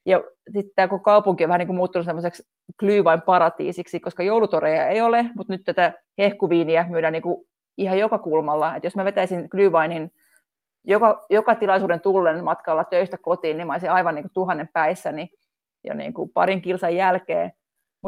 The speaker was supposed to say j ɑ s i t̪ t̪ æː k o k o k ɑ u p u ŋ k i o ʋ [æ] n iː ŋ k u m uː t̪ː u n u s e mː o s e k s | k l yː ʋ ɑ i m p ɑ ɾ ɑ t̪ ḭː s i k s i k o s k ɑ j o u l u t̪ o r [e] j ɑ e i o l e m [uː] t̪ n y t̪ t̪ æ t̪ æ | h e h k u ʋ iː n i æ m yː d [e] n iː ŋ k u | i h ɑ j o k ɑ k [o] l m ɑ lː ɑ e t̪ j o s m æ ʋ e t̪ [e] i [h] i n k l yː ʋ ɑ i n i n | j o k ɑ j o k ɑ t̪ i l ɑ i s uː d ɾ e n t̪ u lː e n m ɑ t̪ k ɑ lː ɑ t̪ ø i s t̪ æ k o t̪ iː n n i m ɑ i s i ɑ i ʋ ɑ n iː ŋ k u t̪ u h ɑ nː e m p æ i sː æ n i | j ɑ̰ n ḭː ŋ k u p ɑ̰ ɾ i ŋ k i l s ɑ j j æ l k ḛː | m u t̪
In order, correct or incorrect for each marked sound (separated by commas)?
correct, correct, incorrect, incorrect, incorrect, incorrect, incorrect